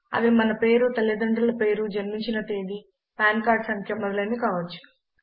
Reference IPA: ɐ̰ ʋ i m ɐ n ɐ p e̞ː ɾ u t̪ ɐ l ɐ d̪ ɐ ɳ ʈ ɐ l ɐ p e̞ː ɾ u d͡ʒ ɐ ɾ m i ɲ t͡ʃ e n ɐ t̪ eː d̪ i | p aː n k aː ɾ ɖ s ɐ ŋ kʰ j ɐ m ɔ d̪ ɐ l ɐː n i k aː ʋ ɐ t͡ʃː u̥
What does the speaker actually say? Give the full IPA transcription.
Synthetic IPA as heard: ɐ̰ ʋ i m ɐ n ɐ p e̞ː ɾ u t̪ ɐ l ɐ d̪ ɐ ɳ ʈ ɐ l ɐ p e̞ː ɾ u d͡ʒ ɐ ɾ m i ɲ t͡ʃ i n ɐ t̪ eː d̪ i | p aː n k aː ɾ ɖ s ɐ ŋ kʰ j ɐ m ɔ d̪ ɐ l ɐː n i k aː ʋ ɐ t͡ʃː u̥